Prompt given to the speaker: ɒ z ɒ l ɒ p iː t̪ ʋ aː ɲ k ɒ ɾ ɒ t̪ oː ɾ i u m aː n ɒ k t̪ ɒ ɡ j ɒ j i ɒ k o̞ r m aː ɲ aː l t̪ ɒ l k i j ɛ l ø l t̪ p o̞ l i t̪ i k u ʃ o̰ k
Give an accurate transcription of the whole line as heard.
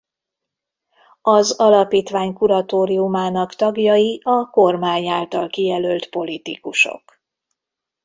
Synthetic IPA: ɒ z ɒ l ɒ p iː t̪ ʋ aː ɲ k u ɾ ɒ t̪ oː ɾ i u m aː n ɒ k t̪ ɒ ɡ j ɒ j i ɒ k o̞ r m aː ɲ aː l t̪ ɒ l k i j ɛ l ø l t̪ p o̞ l i t̪ i k u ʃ o̰ k